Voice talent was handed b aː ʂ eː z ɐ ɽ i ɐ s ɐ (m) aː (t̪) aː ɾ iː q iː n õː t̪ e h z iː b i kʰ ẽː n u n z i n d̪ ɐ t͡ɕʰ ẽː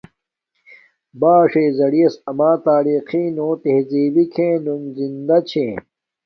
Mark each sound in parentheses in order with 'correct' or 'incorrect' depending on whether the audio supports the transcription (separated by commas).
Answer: correct, correct